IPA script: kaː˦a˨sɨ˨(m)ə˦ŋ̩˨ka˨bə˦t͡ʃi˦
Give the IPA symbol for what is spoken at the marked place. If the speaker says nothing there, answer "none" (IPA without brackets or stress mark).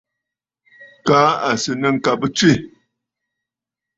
n